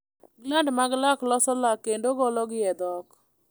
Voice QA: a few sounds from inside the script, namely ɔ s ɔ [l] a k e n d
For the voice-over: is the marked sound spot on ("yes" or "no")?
yes